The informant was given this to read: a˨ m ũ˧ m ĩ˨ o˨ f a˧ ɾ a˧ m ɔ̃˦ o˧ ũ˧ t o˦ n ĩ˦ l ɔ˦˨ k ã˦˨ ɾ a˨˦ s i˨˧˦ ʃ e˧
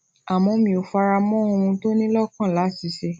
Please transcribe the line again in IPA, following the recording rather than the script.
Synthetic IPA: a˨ m ɔ̃˧ m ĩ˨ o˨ f a˧ ɾ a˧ m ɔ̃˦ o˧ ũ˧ t o˦ n ĩ˦ l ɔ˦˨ k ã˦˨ l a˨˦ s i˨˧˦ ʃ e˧